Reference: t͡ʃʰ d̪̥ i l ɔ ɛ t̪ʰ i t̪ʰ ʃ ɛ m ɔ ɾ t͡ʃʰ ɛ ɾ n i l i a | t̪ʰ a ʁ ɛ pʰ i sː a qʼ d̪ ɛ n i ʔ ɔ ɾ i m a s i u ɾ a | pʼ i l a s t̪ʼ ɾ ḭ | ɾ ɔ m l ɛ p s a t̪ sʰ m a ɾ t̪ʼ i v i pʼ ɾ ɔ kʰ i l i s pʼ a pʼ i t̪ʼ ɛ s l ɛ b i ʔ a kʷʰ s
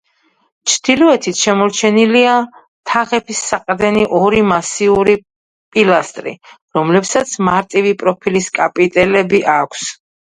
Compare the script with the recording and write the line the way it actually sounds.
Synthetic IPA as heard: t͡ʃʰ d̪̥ i l ɔ ɛ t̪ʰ i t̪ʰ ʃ ɛ m ɔ ɾ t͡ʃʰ ɛ n i l i a | t̪ʰ a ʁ ɛ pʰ i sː a qʼ d̪ ɛ n i ʔ ɔ ɾ i m a s i u ɾ i | pʼ i l a s t̪ʼ ɾ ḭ | ɾ ɔ m l ɛ p s a t̪ sʰ m a ɾ t̪ʼ i v i pʼ ɾ ɔ pʰ i l i s kʼ a pʼ i t̪ʼ ɛ l ɛ b i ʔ a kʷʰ s